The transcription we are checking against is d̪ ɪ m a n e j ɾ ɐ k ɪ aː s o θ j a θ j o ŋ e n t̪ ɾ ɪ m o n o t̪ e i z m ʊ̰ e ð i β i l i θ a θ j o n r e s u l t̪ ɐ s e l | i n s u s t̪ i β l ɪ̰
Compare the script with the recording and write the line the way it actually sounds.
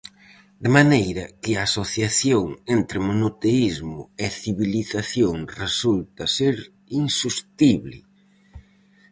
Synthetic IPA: d̪ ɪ m a n e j ɾ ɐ k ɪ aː s o θ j a θ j o ŋ e n t̪ ɾ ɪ m o n o t̪ e i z m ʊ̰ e θ i β i l i θ a θ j o ŋ r e s u l t̪ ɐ s e ɾ | i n s u s t̪ i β l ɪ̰